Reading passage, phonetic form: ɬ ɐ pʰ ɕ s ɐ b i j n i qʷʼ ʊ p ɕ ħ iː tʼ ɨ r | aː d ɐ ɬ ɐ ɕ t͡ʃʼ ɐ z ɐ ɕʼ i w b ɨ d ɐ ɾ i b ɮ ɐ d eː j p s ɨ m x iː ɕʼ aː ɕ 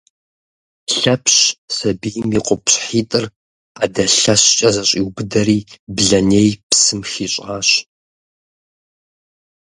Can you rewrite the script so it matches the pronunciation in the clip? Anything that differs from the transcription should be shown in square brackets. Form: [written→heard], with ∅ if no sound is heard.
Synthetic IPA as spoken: ɬ ɐ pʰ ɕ s ɐ b i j [n→m] i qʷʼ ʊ p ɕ ħ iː tʼ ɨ r | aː d ɐ ɬ ɐ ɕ t͡ʃʼ ɐ z ɐ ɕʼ i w b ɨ d ɐ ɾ [i→iː] b ɮ ɐ [d→n] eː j p s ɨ m x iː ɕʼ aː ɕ